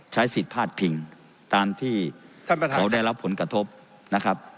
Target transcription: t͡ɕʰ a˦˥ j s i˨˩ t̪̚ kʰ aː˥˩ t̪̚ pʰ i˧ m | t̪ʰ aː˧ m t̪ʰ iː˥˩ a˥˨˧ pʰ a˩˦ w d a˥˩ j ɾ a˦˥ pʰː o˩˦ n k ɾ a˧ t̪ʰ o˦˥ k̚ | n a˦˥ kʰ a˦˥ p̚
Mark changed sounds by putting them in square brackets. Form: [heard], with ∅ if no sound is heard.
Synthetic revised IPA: t͡ɕʰ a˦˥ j s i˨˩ t̪̚ [pʰ] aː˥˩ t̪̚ pʰ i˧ [ŋ] | [t̪] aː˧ m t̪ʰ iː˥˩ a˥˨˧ [kʰ] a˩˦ w d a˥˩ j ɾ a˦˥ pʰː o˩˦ n k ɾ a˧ t̪ʰ o˦˥ [p̚] | n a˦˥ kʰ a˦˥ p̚